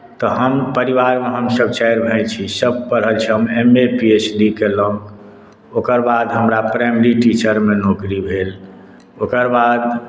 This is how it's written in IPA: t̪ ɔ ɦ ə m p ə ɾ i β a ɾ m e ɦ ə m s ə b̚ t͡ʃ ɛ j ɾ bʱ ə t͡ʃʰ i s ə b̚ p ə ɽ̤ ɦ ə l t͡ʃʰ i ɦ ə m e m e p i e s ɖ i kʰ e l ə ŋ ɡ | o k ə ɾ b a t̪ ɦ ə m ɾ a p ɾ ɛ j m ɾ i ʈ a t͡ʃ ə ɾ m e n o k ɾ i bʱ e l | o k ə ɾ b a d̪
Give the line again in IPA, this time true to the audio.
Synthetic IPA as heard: t̪ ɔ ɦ ə m p ə ɾ i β a ɾ m e ɦ ə m s ə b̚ t͡ʃ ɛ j ɾ bʱ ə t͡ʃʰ i s ə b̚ p ə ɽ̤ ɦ ə l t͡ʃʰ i ɦ ə m e m e p i e s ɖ i k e l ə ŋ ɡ | o k ə ɾ b a d̪ ɦ ə m ɾ a p ɾ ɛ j m ɾ i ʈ i t͡ʃ ə ɾ m e n o k ɾ i bʱ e l | o k ə ɾ b a d̪